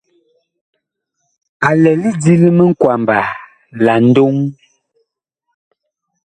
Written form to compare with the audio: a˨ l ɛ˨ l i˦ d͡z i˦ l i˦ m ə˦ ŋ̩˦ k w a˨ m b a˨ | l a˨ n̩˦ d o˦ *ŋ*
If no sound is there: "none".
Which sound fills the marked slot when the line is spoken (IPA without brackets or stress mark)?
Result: ŋ